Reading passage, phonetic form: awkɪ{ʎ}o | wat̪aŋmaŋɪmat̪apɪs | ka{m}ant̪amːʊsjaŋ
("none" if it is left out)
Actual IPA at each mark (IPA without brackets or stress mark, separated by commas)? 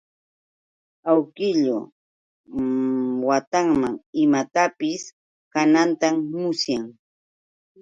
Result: ʎ, n